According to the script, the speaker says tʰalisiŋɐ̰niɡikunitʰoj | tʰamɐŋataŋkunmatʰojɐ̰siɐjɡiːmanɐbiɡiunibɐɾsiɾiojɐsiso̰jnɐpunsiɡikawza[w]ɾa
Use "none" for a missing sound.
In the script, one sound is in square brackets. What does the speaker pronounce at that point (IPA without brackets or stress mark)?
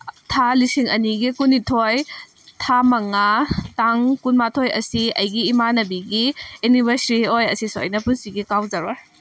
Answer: none